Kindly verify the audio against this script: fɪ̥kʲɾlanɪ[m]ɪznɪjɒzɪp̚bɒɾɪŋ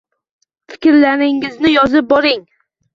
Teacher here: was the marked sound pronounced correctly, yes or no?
no